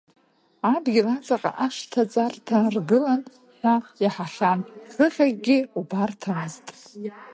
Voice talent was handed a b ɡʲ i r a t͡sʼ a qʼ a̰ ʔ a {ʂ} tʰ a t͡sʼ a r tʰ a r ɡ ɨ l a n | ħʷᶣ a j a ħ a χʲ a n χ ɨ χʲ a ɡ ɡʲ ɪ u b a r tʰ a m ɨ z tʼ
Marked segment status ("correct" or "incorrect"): correct